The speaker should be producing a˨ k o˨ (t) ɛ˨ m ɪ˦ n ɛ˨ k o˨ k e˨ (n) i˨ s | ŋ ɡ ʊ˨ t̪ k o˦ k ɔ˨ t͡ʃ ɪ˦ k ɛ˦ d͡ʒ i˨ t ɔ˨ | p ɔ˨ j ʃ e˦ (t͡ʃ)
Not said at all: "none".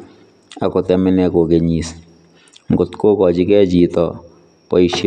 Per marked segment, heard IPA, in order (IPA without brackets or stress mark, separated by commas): t, ɲ, none